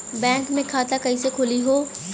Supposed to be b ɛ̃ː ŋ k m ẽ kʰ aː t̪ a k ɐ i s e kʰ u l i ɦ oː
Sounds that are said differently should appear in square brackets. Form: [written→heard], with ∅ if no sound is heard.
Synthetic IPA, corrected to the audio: b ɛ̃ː ŋ k m ẽ kʰ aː t̪ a k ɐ i s e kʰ [u→ʊ] l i ɦ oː